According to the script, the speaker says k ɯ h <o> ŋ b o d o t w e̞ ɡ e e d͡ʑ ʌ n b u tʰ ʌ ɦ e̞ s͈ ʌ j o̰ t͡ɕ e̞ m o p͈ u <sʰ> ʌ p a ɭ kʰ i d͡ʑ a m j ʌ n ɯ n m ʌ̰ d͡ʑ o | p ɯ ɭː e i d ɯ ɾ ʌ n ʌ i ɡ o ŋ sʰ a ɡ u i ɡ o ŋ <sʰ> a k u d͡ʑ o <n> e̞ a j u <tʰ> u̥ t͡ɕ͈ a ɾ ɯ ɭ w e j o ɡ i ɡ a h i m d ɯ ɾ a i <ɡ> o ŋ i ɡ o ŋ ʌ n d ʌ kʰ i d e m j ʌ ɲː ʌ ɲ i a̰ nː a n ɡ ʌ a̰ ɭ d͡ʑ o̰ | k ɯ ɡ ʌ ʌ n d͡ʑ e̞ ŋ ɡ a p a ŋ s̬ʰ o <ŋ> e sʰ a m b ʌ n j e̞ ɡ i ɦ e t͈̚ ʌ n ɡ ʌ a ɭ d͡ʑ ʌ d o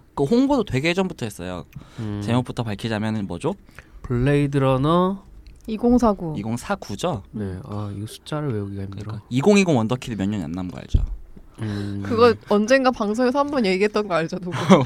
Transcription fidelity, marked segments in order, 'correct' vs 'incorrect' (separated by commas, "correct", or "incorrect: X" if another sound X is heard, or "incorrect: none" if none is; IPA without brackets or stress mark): correct, incorrect: tʰ, correct, correct, incorrect: sʰ, correct, correct